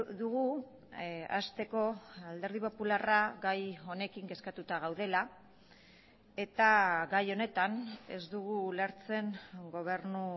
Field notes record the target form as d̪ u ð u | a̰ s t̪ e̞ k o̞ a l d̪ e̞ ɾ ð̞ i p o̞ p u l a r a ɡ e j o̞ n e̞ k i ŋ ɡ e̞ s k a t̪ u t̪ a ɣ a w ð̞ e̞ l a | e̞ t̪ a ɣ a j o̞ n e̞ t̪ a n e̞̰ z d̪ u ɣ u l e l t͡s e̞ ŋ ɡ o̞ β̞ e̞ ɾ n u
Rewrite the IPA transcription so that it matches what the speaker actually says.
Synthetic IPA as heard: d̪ u ɣ u | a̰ s t̪ e̞ k o̞ a l d̪ e̞ ɾ ð̞ i p o̞ p u l a r a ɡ a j o̞ n e̞ k i ŋ ɡ e̞ s k a t̪ u t̪ a ɣ a w ð̞ e̞ l a | e̞ t̪ a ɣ a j o̞ n e̞ t̪ a n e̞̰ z d̪ u ɣ u l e ɾ t͡s e̞ ŋ ɡ o̞ β̞ e̞ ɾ n u

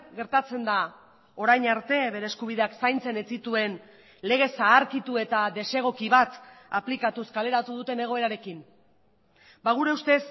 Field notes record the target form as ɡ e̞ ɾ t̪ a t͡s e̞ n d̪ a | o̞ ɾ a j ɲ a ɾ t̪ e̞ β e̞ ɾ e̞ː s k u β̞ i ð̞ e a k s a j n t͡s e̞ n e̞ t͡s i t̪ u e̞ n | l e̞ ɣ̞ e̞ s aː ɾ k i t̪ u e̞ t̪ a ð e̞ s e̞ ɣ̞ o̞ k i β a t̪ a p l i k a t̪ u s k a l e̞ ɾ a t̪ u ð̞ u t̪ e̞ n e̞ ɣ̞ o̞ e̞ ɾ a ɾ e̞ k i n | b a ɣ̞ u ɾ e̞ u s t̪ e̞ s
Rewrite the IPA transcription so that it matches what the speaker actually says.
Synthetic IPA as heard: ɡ e̞ ɾ t̪ a t͡s e̞ n d̪ a | o̞ ɾ a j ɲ a ɾ t̪ e̞ β e̞ ɾ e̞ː s k u β̞ i ð̞ e a k s a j n t͡s e̞ n e̞ t͡s i t̪ u e̞ n | l e̞ ɣ̞ e̞ s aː ɾ k i t̪ u e̞ t̪ a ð e̞ s e̞ ɣ̞ o̞ k i β a t̪ a p l i k a t̪ u s k a l e̞ ɾ a t̪ u ð̞ u t̪ e̞ n e̞ ɣ̞ o̞ e̞ ɾ a ɾ e̞ k i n | b a ɣ̞ u ɾ e̞ u s t̪ e̞ s

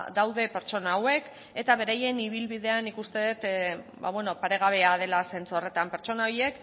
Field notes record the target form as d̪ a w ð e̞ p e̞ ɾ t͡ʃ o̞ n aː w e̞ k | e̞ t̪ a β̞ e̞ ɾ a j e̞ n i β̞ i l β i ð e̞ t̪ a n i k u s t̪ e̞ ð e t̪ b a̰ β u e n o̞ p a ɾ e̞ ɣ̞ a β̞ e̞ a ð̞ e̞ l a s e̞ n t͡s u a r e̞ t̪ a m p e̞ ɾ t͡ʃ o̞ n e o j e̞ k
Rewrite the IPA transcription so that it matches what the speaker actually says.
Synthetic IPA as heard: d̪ a w ð e̞ p e̞ ɾ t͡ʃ o̞ n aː w e̞ k | e̞ t̪ a β̞ e̞ ɾ a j e̞ n i β̞ i l β i ð e̞ a n i k u s t̪ e̞ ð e t̪ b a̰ β w e n o̞ p a ɾ e̞ ɣ̞ a β̞ e̞ a ð̞ e̞ l a s e̞ n t͡s u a r e̞ t̪ a m p e̞ ɾ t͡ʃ o̞ n a o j e̞ k

